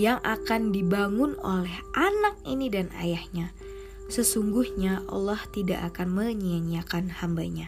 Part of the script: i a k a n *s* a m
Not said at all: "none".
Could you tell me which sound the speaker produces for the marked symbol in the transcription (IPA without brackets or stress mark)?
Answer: h